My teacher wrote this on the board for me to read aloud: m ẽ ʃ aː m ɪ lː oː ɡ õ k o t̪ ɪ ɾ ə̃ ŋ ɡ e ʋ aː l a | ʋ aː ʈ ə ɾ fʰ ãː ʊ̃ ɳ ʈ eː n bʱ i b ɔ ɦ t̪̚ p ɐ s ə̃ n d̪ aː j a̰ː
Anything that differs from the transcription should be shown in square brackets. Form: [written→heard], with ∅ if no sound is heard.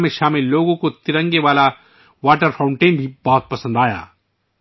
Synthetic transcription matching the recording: m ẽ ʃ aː m ɪ lː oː ɡ õ k o t̪ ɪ ɾ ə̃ ŋ ɡ e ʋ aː l a | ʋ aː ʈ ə ɾ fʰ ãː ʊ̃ ɳ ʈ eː n bʱ i b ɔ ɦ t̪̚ p ɐ s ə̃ n d̪ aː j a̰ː